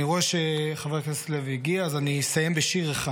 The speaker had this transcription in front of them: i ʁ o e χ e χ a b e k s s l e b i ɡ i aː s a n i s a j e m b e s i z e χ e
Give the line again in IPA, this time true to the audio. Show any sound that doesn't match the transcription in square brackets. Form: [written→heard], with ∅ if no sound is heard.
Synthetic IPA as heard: i ʁ o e [χ→ʃ] e χ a [b→v] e k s s l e [b→v] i ɡ i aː [s→z] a n i s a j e m b e [s→ʃ] i [z→ʁ] e χ [e→a]